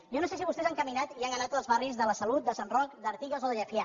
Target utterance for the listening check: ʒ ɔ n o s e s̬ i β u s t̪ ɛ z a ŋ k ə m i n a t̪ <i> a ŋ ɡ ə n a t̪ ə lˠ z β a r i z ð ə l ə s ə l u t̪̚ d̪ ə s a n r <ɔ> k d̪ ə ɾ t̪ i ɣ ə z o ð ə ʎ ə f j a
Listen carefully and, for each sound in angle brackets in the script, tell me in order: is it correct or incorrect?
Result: correct, correct

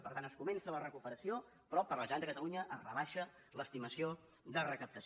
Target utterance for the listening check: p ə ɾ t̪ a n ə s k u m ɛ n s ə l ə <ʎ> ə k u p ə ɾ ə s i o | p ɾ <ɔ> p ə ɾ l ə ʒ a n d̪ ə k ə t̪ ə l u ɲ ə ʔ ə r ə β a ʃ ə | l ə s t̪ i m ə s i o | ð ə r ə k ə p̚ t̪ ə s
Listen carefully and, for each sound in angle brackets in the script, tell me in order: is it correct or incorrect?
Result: incorrect: r, correct

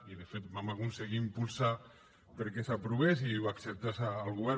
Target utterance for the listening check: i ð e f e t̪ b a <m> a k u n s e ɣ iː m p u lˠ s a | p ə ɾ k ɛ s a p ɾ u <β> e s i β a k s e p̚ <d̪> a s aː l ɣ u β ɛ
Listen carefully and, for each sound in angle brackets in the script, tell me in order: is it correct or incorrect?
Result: correct, correct, incorrect: t̪

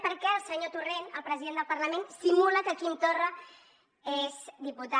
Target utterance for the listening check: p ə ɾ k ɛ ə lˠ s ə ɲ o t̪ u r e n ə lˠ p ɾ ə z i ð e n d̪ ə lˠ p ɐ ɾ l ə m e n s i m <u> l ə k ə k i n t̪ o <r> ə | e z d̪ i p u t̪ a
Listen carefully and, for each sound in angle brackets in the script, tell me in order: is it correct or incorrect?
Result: correct, correct

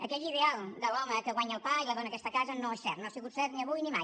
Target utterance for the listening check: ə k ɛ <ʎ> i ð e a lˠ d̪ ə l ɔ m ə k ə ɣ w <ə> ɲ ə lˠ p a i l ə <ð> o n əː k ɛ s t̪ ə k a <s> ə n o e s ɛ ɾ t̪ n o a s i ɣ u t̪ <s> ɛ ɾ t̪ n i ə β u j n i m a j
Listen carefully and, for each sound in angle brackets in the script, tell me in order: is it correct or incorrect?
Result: correct, incorrect: a, correct, incorrect: z, correct

